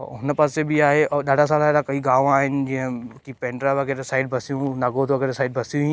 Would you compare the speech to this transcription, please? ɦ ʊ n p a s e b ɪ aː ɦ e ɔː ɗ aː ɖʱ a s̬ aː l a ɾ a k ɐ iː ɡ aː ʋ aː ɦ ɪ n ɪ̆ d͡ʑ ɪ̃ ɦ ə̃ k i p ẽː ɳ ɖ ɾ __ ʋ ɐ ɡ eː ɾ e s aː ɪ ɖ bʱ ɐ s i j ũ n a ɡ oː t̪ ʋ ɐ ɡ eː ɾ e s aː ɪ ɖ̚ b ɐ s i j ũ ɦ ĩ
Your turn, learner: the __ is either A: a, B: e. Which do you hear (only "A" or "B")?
A